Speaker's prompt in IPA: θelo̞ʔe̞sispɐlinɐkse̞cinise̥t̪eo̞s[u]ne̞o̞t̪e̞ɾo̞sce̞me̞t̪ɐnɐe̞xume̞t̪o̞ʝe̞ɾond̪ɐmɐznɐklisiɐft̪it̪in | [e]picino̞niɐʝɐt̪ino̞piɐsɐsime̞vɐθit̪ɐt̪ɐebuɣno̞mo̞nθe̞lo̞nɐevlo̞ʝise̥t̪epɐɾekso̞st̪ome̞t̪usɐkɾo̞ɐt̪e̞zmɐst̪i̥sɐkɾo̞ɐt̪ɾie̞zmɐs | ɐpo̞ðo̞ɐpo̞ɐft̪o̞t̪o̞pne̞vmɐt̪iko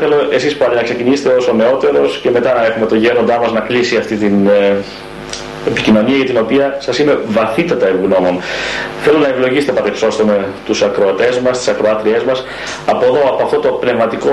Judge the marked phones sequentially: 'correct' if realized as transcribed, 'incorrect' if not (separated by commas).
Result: incorrect, correct